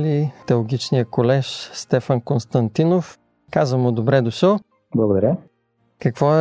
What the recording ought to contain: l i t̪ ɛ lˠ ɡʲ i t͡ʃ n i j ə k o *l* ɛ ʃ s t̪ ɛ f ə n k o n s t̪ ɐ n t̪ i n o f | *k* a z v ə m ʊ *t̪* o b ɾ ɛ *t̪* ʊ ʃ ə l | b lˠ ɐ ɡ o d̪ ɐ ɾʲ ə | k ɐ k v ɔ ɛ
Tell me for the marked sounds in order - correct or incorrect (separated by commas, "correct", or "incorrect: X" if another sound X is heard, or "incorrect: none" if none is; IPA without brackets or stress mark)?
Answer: correct, correct, incorrect: d̪, incorrect: d̪